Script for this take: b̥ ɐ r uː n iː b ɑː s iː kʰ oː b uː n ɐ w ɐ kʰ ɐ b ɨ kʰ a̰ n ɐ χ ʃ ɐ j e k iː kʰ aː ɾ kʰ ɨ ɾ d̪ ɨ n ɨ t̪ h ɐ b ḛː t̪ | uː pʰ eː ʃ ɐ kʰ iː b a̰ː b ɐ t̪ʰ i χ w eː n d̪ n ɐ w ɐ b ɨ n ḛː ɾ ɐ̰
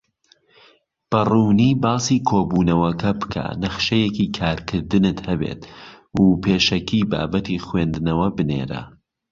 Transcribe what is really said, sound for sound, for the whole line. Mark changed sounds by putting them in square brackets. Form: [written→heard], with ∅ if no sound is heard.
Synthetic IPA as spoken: b̥ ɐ r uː n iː b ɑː s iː kʰ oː b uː n ɐ w ɐ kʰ ɐ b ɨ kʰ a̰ n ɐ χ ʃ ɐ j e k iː kʰ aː ɾ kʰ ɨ ɾ d̪ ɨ n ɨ t̪ h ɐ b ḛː t̪ | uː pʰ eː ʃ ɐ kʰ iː b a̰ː b ɐ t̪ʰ i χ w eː n d̪ n ɐ w ɐ b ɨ n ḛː ɾ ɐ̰